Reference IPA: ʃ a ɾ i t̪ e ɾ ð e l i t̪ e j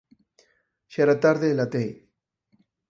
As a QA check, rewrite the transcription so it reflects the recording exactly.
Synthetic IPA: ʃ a ɾ a t̪ a ɾ ð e l a t̪ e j